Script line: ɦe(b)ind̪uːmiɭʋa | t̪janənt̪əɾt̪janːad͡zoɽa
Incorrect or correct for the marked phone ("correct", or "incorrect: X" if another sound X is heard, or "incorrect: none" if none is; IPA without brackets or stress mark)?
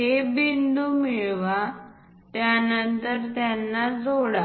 correct